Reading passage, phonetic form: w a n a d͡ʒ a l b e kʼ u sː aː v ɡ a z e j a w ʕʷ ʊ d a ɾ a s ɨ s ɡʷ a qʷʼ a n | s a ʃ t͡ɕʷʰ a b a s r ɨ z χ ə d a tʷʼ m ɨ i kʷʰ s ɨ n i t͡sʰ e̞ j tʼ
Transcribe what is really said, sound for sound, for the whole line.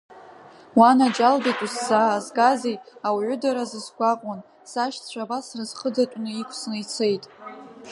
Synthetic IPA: w a n a d͡ʒ a l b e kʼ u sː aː z ɡ a z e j a w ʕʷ ʊ d a ɾ a z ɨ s ɡʷ a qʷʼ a n | s a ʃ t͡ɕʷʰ a b a s r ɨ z χ ə d a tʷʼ n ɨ i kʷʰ s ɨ n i t͡sʰ e̞ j tʼ